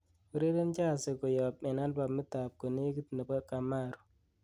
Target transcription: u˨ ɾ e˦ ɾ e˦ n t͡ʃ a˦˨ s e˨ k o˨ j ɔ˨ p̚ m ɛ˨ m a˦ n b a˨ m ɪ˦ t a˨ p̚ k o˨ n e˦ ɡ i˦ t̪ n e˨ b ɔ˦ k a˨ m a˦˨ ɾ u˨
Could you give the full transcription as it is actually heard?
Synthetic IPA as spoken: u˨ ɾ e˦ ɾ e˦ n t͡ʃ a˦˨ s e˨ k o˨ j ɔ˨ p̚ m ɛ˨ n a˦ n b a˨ m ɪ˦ t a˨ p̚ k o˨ n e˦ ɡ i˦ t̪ n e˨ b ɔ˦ k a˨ m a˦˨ ɾ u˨